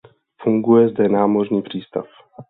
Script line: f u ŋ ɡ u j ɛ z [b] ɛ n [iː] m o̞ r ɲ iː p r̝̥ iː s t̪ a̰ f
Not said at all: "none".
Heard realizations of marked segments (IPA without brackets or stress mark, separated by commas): d, aː